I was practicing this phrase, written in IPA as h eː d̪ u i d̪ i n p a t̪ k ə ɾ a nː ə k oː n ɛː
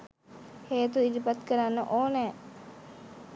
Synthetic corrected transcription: h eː t̪ u i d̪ i p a t̪ k ə ɾ a nː ə ʔ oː n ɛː